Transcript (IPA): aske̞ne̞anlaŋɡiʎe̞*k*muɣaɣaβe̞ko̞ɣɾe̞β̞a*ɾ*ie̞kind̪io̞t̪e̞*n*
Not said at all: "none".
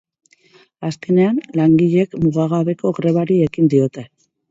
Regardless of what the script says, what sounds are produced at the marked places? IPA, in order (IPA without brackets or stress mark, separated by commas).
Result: k, ɾ, none